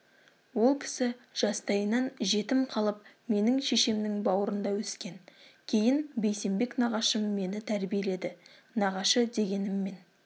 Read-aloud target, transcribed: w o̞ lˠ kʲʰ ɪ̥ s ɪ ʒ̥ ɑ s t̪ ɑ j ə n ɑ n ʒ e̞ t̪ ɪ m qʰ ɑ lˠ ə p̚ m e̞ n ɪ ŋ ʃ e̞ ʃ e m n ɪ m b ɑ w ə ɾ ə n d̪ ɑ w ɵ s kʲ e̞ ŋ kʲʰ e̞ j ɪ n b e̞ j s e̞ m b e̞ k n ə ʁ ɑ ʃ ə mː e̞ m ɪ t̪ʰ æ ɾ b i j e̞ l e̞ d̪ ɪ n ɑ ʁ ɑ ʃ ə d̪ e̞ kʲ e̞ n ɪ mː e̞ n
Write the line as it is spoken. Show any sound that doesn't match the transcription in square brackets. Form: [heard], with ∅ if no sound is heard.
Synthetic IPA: w o̞ lˠ kʲʰ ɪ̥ s ɪ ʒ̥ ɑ s t̪ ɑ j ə n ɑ n ʒ e̞ t̪ ɪ m qʰ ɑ lˠ ə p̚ m e̞ n ɪ ŋ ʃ e̞ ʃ e m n ɪ [ŋ] b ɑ w ə ɾ ə n d̪ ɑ w ɵ s kʲ e̞ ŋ kʲʰ e̞ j ɪ n b e̞ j s e̞ m b e̞ k n [ɑ] ʁ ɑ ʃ ə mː e̞ [n] ɪ t̪ʰ æ ɾ b i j e̞ l e̞ d̪ ɪ n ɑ ʁ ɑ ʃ ə d̪ e̞ [ɡʲ] e̞ n ɪ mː e̞ n